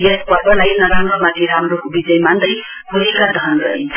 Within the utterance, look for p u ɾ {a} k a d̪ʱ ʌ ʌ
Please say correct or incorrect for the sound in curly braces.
incorrect